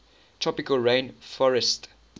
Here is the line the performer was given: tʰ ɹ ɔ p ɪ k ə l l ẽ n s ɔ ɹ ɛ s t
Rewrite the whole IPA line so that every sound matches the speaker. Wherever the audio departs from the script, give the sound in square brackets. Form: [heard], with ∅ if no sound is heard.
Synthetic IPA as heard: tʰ ɹ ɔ p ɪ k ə l [ɹ] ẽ n [f] ɔ ɹ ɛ s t